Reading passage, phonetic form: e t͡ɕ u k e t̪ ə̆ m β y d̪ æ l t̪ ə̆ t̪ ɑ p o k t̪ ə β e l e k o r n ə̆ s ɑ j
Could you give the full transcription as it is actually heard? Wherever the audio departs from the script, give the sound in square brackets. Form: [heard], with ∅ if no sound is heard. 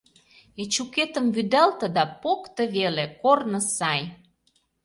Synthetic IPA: e t͡ɕ u k e t̪ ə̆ m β y d̪ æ l t̪ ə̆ [d̪] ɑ p o k t̪ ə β e l e k o r n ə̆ s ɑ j